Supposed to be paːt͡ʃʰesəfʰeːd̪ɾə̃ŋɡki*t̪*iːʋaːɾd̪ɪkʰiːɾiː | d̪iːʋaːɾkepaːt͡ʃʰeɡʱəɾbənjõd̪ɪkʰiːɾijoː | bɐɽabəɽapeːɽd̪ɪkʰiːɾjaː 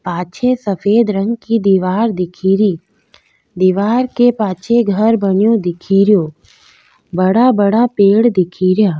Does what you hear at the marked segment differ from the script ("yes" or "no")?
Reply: yes